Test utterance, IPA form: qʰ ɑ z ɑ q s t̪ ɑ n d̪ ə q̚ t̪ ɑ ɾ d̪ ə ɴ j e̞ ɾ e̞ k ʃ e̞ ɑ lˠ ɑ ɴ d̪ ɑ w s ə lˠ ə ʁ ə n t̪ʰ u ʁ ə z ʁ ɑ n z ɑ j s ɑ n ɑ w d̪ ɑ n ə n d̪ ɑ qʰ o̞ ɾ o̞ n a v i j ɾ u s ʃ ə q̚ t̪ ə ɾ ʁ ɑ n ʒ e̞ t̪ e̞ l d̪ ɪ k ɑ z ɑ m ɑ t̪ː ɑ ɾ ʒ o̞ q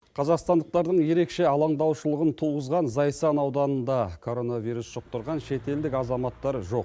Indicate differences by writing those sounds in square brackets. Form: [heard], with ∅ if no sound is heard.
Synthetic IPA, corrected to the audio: qʰ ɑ z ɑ q s t̪ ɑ n d̪ ə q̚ t̪ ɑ ɾ d̪ ə ɴ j e̞ ɾ e̞ k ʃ e̞ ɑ lˠ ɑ ɴ d̪ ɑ w [ʃ] ə lˠ ə ʁ ə n t̪ʰ u ʁ ə z ʁ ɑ n z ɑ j s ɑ n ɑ w d̪ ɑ n ə n d̪ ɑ [kʰ] o̞ ɾ o̞ n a v i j ɾ u s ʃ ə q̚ t̪ ə ɾ ʁ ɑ n [ʃ] e̞ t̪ e̞ l d̪ ɪ k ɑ z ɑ m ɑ t̪ː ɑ ɾ ʒ o̞ q